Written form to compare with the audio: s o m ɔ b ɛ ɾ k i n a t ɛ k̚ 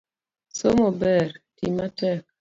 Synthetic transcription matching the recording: s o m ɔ b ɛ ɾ t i m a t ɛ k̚